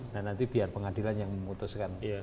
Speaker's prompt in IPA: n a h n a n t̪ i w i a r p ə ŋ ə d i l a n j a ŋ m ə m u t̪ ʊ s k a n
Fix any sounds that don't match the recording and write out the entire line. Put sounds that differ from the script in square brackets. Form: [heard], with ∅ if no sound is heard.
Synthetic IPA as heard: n a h n a n t̪ i [b] i a r p ə ŋ [a] d i l a n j a ŋ m ə m u t̪ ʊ s k a n